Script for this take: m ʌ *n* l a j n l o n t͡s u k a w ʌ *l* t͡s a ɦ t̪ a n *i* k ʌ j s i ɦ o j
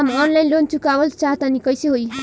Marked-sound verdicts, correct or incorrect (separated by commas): correct, correct, correct